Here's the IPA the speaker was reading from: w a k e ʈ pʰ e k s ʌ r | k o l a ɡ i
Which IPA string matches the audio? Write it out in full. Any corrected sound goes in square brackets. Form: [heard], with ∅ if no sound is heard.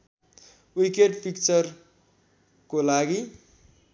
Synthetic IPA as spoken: w [i] k e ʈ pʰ [i] k [t͡s] ʌ r | k o l a ɡ i